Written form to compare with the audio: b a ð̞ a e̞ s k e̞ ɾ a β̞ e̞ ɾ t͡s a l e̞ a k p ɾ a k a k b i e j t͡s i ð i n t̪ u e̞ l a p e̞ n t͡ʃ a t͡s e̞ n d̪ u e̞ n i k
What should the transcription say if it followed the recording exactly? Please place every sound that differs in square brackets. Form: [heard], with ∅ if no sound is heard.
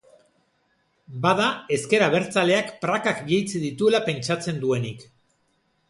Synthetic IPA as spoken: b a ð̞ a e̞ s k e̞ ɾ a β̞ e̞ ɾ t͡s a l e̞ a k p ɾ a k a k b i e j t͡s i ð i [∅] t̪ u e̞ l a p e̞ n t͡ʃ a t͡s e̞ n d̪ u e̞ n i k